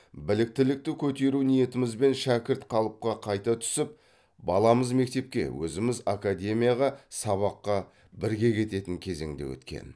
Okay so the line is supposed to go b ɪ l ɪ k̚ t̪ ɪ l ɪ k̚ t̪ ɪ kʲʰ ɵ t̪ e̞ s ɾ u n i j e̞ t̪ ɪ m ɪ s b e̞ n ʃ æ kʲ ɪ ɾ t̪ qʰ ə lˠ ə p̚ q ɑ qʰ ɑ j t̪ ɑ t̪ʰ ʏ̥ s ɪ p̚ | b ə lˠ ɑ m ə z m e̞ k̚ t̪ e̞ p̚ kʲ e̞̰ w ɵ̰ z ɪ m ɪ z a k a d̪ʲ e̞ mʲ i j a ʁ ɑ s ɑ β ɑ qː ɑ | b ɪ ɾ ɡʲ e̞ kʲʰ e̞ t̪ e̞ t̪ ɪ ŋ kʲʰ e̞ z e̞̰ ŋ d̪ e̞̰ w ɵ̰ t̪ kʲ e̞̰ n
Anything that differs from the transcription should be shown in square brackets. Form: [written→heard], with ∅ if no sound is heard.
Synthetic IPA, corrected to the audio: b ɪ l ɪ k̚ t̪ ɪ l ɪ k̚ t̪ ɪ kʲʰ ɵ t̪ e̞ [s→∅] ɾ u n i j e̞ t̪ ɪ m ɪ [s→z] b e̞ n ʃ æ kʲ ɪ ɾ t̪ qʰ [ə→ɑ] lˠ ə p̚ q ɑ qʰ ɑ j t̪ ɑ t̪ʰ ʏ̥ s ɪ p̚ | b [ə→ɑ] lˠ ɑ m ə z m e̞ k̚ t̪ e̞ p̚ kʲ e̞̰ w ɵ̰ z ɪ m ɪ z a k a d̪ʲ e̞ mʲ i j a ʁ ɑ s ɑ β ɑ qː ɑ | b ɪ ɾ ɡʲ e̞ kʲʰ e̞ t̪ e̞ t̪ ɪ ŋ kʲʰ e̞ z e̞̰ ŋ d̪ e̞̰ w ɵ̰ t̪ kʲ e̞̰ n